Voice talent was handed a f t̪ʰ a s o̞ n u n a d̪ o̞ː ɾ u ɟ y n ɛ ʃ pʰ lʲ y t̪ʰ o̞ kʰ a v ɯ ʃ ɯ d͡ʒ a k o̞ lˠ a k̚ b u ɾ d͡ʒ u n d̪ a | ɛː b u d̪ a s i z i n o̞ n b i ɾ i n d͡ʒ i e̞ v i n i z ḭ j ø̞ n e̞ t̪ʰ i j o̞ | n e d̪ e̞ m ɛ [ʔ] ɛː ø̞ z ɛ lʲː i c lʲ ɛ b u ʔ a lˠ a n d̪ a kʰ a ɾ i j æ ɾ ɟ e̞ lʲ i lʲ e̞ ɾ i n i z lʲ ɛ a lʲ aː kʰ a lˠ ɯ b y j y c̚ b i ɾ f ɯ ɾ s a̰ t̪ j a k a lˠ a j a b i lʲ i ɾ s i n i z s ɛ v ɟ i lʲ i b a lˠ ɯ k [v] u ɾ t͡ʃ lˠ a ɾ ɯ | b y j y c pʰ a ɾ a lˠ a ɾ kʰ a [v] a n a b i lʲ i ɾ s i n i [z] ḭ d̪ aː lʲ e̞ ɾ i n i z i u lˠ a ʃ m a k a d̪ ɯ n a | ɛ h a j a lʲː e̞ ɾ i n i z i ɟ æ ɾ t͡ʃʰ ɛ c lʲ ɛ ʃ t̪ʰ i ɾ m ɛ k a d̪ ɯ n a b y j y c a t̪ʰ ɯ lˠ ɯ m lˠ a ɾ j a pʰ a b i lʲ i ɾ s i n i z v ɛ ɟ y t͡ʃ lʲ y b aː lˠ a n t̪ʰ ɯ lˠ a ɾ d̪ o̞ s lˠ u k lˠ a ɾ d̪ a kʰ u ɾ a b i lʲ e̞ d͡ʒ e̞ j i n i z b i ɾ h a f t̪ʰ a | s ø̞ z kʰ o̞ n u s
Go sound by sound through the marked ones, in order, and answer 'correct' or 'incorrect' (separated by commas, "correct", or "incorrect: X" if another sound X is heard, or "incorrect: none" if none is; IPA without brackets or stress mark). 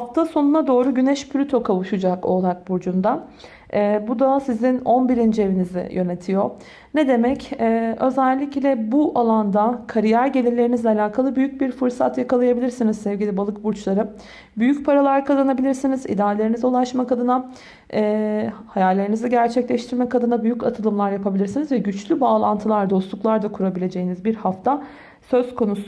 incorrect: c, incorrect: b, incorrect: z, correct